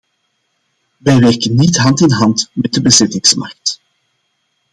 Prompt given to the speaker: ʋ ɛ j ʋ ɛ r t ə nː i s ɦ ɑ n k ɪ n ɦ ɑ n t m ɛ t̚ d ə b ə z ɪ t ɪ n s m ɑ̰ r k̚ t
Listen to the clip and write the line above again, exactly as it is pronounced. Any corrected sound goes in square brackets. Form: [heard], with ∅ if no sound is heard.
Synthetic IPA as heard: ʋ ɛ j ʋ ɛ r [k] ə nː i [t] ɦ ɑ n [t] ɪ n ɦ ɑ n t m ɛ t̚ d ə b ə z ɪ t ɪ [ŋ] s m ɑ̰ r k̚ t